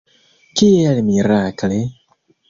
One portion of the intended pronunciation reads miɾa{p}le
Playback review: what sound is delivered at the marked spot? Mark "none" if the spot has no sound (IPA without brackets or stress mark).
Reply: k